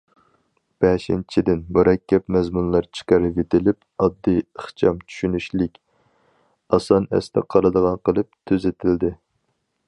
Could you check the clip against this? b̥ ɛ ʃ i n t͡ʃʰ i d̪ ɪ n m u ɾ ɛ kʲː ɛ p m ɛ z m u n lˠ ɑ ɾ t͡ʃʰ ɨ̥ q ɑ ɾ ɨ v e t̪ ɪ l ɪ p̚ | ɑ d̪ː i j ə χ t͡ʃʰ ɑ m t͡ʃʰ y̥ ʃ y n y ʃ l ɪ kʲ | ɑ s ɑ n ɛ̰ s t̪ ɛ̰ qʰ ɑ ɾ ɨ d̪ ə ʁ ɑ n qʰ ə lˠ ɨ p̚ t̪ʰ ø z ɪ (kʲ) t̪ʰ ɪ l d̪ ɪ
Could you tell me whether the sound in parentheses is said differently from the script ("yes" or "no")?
yes